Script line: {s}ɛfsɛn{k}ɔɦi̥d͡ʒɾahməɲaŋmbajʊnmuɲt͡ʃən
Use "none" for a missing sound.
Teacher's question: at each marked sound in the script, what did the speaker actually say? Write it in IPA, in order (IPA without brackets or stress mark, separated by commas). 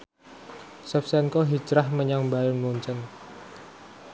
s, k